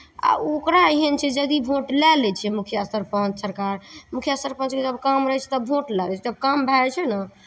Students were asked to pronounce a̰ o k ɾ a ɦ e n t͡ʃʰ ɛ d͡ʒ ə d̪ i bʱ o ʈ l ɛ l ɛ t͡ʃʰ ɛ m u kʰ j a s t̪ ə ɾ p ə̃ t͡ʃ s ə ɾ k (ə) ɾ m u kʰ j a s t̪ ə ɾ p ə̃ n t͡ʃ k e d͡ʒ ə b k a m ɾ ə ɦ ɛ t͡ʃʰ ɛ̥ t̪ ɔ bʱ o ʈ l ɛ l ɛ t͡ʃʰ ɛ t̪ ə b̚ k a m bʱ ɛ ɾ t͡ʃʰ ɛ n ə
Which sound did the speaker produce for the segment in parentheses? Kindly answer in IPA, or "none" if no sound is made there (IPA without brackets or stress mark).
a